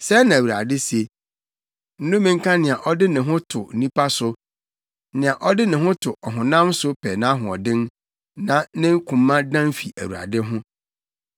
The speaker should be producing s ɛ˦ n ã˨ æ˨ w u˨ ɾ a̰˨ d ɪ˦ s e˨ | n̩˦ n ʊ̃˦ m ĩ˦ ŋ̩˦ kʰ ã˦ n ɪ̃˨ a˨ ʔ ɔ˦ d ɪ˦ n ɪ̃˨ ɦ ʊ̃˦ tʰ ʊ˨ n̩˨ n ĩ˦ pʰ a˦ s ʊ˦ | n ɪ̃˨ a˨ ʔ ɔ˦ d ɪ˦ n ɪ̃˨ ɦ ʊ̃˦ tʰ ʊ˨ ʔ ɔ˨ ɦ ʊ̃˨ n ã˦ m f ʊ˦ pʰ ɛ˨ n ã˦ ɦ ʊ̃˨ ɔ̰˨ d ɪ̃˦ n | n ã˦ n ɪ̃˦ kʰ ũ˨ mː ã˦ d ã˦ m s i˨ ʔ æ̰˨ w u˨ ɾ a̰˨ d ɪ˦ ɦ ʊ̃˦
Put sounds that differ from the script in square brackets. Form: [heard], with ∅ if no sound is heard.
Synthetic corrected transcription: s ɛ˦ n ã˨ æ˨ w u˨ ɾ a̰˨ d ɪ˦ s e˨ | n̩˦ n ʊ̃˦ m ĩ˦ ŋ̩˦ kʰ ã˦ n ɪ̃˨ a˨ ʔ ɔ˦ d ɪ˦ n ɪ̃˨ ɦ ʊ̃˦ tʰ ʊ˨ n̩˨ n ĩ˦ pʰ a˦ s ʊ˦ | n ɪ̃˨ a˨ ʔ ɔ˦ d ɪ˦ n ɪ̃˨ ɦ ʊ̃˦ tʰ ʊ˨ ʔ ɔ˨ ɦ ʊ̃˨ n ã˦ m [s] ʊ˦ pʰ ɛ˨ n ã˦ ɦ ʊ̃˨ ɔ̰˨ d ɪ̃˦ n | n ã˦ n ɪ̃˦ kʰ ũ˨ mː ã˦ d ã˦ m [f] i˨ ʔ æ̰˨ w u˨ ɾ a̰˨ d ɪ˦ ɦ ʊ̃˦

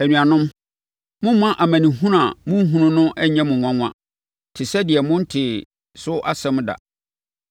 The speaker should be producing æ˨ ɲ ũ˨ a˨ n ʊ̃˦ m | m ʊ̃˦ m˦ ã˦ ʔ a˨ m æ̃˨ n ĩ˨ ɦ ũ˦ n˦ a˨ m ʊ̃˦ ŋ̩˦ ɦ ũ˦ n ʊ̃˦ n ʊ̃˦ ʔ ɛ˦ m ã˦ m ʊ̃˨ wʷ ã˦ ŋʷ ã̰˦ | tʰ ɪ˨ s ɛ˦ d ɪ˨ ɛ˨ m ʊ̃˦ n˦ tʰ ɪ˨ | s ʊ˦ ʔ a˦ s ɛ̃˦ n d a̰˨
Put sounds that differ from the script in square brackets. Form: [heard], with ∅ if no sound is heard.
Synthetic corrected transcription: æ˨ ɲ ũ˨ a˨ n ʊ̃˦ m | m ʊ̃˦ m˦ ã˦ ʔ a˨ m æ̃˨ n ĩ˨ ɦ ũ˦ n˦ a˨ m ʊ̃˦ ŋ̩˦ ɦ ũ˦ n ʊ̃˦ n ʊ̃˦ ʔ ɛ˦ [ɲ] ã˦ m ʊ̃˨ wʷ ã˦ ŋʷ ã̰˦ | tʰ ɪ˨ s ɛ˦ d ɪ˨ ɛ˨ m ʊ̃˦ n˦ tʰ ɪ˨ | s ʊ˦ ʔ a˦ s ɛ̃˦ [m] d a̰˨

